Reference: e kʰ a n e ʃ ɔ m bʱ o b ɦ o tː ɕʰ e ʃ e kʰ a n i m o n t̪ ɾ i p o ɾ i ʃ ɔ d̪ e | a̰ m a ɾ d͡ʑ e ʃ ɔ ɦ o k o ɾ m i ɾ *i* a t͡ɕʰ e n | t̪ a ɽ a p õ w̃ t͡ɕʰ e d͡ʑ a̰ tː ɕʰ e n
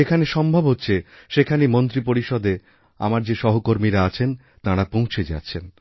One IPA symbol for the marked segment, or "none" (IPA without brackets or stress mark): a